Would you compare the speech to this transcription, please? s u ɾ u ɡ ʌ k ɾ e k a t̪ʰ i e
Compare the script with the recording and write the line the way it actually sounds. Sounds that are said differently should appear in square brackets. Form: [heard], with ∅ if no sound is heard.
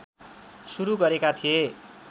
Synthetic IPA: s u ɾ u ɡ ʌ [∅] ɾ e k a t̪ʰ i e